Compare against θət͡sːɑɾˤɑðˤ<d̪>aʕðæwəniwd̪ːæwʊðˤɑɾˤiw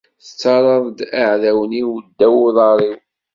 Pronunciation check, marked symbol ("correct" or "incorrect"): correct